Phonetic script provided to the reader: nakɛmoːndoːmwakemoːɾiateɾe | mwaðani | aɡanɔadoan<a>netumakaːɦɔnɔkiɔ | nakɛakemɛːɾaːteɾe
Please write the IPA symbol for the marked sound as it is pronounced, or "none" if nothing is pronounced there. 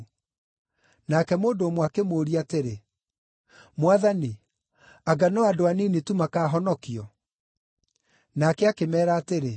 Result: i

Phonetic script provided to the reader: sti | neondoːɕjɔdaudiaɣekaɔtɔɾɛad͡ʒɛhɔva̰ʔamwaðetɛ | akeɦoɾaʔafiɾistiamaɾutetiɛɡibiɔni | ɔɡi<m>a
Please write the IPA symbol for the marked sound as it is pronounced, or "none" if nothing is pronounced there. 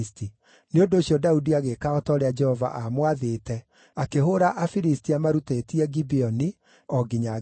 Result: ɲ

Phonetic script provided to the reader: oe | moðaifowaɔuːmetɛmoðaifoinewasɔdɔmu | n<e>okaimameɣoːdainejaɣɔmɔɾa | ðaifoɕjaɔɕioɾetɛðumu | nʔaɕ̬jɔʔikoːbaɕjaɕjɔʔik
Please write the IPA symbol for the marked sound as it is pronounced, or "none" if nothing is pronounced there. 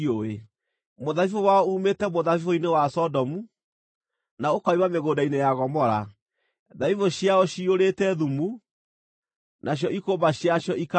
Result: a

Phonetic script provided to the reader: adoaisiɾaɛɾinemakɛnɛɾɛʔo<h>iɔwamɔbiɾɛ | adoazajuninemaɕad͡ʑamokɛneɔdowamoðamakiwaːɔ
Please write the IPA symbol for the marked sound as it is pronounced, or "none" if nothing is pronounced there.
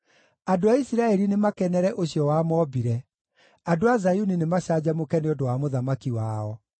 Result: ɕ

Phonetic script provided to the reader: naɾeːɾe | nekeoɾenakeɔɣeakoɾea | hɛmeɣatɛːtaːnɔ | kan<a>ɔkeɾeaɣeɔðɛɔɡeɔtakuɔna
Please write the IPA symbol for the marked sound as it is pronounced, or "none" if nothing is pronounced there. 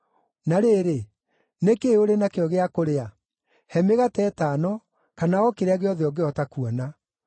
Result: a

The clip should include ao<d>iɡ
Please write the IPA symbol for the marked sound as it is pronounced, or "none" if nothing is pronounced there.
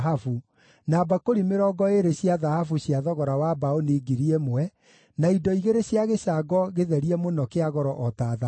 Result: n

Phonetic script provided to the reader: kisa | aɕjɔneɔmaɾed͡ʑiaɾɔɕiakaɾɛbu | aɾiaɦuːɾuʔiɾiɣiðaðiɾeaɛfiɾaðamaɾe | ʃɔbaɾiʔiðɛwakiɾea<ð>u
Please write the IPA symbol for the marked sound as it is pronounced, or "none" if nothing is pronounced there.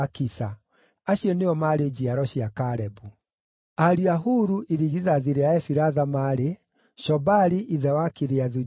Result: ð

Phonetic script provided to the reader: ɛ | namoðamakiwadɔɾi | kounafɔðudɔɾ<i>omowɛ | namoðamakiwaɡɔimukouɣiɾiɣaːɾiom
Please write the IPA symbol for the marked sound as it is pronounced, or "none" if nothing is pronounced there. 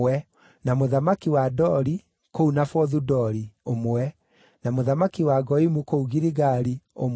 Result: i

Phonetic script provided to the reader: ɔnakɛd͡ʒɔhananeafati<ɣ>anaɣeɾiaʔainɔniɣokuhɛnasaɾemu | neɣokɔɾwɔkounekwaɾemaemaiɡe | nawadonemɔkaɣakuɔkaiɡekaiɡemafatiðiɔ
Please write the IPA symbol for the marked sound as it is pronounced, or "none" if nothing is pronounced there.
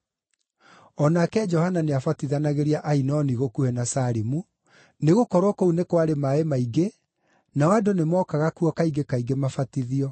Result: ð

